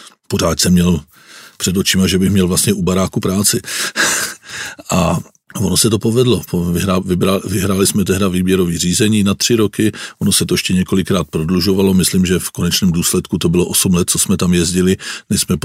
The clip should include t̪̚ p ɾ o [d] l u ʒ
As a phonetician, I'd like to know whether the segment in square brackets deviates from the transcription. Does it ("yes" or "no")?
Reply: no